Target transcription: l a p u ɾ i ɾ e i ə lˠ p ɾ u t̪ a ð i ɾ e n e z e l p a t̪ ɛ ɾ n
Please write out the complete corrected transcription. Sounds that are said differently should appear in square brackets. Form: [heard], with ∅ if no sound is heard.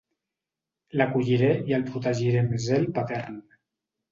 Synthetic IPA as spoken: l a [k] u [ʎ] i ɾ e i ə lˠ p ɾ u t̪ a [ʒ] i ɾ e [m] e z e l p a t̪ ɛ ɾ n